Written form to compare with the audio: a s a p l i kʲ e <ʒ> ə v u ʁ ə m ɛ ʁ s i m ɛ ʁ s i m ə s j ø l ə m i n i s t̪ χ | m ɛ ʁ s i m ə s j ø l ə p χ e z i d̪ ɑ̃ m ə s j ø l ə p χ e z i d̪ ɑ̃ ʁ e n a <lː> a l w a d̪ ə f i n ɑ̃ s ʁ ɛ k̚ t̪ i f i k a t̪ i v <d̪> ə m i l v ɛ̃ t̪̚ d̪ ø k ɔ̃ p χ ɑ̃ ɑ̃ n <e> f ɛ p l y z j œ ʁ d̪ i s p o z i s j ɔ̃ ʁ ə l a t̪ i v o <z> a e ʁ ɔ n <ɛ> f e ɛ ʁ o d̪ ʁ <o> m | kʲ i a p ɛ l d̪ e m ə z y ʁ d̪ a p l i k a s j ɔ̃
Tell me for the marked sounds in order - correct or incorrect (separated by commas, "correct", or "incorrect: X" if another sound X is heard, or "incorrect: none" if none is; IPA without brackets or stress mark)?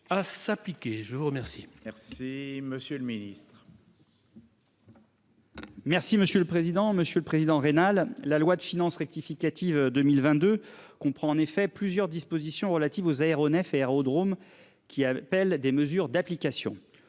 correct, correct, correct, correct, correct, correct, correct